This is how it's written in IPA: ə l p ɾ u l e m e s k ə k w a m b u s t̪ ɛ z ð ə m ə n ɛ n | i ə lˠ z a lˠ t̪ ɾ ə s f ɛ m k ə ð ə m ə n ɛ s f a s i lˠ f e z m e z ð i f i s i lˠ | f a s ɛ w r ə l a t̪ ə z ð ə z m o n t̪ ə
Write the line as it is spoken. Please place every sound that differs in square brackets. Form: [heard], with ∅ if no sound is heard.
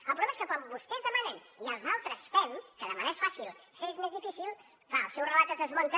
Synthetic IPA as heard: ə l p ɾ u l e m e s k ə k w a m b u s t̪ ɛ z ð ə m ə n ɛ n | i ə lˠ z a lˠ t̪ ɾ ə s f ɛ m k ə ð ə m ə n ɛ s f a s i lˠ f e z m e z ð i f i s i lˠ | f a s ɛ w r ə l a t̪ ə z ð ə z m o n t̪ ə